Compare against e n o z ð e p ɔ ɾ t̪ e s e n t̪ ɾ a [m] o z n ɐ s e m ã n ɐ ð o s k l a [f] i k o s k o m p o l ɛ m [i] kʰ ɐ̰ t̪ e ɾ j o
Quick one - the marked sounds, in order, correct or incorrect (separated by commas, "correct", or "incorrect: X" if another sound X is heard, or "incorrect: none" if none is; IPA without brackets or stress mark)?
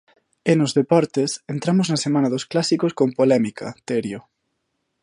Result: correct, incorrect: s, correct